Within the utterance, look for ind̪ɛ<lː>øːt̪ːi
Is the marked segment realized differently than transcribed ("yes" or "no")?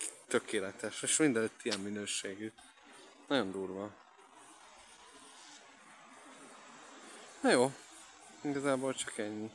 yes